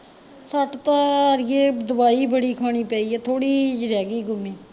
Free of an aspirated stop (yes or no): no